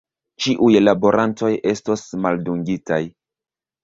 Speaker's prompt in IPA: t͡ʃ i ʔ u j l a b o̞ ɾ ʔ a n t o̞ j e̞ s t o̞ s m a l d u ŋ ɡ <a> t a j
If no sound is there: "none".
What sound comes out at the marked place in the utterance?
i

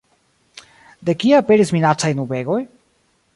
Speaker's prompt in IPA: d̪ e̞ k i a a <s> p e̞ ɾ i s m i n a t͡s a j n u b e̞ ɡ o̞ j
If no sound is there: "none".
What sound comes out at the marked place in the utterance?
none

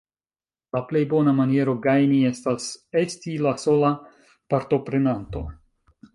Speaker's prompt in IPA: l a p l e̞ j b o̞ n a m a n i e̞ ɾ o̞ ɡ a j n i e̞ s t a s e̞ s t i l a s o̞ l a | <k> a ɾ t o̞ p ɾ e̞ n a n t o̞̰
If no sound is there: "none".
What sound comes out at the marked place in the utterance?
p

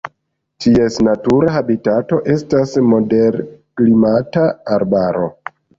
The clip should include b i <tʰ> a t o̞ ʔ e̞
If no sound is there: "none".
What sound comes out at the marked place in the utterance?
t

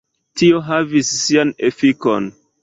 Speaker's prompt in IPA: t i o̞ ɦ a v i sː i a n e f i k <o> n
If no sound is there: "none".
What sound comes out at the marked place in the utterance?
o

